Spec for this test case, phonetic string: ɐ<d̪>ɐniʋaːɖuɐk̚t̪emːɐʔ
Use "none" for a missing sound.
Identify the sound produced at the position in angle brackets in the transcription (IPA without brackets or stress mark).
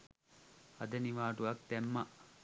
d̪